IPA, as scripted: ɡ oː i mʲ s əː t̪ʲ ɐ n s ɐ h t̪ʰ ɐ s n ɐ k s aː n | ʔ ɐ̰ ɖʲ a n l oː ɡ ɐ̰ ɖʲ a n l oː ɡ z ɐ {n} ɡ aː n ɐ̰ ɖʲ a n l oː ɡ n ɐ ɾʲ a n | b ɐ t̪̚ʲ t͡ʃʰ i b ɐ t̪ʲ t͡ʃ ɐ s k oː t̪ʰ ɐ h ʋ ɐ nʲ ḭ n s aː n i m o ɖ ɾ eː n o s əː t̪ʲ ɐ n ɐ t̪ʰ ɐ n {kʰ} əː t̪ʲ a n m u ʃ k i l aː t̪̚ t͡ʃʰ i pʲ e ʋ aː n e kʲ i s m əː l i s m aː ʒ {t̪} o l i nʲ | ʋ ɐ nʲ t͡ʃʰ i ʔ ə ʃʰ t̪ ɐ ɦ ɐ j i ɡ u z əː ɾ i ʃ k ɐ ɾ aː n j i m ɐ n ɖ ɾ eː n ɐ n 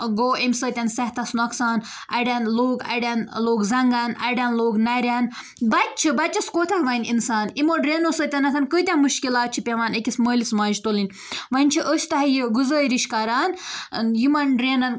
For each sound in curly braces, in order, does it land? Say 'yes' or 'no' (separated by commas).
no, no, yes